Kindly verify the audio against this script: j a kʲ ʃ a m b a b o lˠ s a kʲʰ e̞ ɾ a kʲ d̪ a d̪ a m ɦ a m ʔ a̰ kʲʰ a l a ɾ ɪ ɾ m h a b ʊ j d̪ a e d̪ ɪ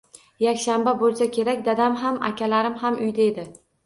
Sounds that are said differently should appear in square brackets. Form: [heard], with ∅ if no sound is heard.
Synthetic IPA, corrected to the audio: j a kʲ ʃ a m b a b o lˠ s a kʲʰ e̞ ɾ a kʲ d̪ a d̪ a m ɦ a m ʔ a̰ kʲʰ a l a ɾ ɪ [∅] m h a [m] ʊ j d̪ a e d̪ ɪ